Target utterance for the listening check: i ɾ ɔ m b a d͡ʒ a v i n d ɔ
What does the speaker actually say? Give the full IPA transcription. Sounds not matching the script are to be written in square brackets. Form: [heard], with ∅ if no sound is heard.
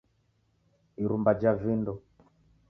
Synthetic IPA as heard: i ɾ [u] m b a d͡ʒ a v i n d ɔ